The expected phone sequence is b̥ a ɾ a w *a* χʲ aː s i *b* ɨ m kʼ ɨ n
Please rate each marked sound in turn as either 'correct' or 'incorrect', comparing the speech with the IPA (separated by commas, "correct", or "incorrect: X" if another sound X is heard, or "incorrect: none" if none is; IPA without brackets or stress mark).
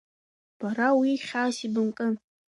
incorrect: i, correct